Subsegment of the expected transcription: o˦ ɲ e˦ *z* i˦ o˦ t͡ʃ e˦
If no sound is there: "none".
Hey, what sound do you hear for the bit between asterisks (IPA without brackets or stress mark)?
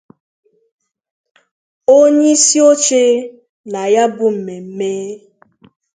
s